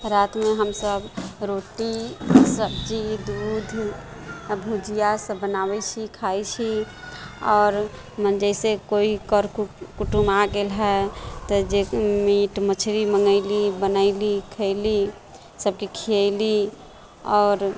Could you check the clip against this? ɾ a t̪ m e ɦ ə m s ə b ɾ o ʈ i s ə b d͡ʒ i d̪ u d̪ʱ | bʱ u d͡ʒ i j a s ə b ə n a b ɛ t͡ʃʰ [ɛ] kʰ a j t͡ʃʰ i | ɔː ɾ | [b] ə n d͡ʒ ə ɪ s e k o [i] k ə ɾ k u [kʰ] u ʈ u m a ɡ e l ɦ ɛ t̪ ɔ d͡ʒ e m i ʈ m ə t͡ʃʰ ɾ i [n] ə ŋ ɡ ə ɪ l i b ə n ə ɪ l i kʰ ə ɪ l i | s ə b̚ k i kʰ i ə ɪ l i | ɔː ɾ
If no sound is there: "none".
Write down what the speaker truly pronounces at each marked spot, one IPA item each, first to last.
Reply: i, m, i, k, m

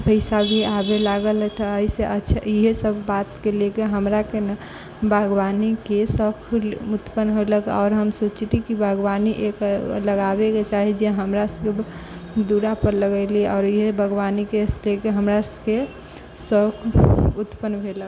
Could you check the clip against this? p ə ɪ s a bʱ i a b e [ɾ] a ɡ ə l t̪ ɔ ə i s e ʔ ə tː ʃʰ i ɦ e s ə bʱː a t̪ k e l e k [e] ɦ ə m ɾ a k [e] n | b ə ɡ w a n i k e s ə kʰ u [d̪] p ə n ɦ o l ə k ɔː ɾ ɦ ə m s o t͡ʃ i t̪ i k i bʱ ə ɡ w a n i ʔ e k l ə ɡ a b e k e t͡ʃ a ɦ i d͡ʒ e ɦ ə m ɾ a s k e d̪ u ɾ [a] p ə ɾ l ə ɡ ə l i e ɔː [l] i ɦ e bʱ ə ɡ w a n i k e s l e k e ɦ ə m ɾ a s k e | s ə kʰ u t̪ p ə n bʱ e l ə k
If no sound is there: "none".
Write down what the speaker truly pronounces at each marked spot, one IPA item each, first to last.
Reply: l, e, e, t̪, a, ɾ

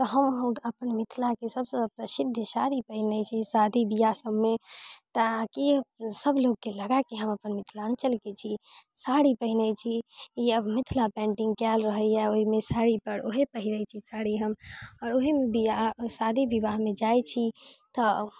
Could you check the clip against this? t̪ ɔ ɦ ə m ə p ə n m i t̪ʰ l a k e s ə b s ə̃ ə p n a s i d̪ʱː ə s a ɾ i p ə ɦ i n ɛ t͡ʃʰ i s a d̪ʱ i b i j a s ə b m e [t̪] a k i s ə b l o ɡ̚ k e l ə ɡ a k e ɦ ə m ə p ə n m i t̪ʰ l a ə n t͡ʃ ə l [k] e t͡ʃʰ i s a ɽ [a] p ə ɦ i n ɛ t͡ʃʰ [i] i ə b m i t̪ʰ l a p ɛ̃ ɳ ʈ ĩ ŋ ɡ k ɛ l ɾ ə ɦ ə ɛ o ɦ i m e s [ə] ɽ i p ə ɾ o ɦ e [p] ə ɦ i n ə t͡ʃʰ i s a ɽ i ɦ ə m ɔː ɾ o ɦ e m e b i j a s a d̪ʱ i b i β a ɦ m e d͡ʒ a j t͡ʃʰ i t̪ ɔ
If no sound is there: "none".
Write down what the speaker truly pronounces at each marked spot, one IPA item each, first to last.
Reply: t̪, k, i, i, a, p

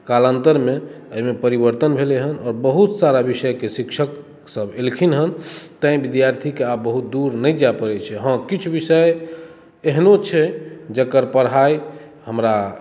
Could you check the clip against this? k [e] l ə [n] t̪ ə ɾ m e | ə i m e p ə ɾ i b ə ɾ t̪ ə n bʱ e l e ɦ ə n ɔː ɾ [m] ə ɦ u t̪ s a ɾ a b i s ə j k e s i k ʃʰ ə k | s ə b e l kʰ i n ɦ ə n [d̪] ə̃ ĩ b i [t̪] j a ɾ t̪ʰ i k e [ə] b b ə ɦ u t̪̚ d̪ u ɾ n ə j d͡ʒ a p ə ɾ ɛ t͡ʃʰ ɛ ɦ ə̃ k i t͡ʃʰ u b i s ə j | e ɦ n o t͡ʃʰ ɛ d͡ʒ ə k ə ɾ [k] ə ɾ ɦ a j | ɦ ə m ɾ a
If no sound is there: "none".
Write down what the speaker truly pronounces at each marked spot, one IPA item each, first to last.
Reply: a, n, b, t̪, d̪, a, p

